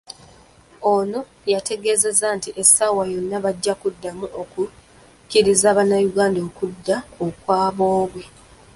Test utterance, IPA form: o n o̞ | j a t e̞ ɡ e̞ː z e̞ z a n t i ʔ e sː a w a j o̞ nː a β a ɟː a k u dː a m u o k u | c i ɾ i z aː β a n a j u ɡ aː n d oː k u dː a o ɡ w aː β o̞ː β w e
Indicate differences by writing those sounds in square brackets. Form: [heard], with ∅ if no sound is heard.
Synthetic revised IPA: o n o̞ | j a t e̞ ɡ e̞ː z e̞ z a n t i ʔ e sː a w a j o̞ nː a β a ɟː a k u dː a m u o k u | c i ɾ i z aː β a n a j u ɡ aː n d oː k u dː a o [k] w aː β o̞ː β w e